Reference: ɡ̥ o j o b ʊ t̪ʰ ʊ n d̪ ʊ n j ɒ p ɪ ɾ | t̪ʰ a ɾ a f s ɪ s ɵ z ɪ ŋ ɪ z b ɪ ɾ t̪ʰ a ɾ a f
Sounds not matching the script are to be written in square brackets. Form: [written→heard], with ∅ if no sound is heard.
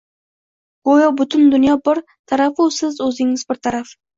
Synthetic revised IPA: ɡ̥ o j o b ʊ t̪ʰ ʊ n d̪ ʊ n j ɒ [p→b] ɪ ɾ | t̪ʰ a ɾ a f s ɪ [s→z] ɵ z ɪ ŋ ɪ z b ɪ ɾ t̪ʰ a ɾ a f